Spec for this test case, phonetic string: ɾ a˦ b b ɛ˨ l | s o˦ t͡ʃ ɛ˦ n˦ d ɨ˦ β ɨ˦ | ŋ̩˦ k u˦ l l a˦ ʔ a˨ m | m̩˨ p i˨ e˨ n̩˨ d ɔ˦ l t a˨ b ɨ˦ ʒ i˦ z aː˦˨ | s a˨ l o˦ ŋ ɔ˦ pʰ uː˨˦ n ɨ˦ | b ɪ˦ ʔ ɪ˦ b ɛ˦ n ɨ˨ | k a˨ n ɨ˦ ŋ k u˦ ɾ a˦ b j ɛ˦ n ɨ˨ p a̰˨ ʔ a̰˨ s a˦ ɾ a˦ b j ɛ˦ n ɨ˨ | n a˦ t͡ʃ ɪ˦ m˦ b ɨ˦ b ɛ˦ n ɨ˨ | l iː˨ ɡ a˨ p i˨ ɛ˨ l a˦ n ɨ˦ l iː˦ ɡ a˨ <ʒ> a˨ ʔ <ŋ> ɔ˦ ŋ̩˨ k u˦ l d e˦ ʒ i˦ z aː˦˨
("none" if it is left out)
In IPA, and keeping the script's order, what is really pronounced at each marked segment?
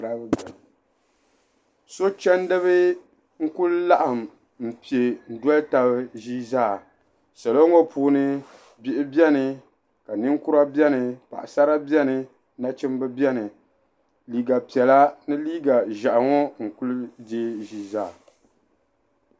ʒ, ŋ

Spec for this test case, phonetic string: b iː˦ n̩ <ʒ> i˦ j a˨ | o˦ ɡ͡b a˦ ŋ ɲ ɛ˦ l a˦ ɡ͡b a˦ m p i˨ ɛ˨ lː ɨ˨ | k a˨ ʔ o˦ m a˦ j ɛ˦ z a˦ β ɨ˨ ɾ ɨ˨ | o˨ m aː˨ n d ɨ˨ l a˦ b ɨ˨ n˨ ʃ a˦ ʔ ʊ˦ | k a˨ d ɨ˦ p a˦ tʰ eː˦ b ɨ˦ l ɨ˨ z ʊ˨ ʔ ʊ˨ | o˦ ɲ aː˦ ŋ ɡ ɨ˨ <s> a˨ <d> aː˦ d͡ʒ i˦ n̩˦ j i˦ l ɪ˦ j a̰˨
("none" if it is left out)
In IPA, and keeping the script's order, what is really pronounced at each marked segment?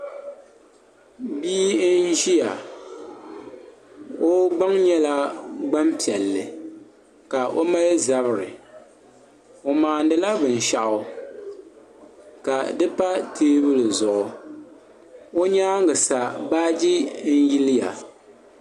ʒ, s, b

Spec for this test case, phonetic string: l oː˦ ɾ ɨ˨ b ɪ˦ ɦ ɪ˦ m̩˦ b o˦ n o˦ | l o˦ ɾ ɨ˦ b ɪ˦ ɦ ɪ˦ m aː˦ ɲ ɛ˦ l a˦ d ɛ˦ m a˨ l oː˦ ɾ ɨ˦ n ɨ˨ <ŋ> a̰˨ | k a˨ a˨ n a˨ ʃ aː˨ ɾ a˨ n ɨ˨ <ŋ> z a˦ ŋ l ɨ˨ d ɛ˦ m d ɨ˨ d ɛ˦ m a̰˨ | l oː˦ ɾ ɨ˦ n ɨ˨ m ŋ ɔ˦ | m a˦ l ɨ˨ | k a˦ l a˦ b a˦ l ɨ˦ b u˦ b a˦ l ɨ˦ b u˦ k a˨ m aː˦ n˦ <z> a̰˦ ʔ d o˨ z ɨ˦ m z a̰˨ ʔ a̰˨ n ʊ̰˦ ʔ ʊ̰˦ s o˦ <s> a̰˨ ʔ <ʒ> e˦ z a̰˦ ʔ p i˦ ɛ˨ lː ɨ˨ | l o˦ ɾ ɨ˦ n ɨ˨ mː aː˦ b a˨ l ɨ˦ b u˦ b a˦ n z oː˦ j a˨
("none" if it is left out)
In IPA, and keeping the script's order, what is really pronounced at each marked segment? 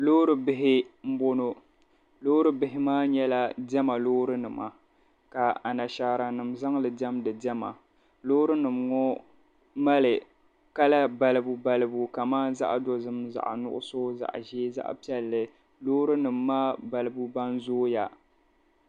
m, m, z, z, ʒ

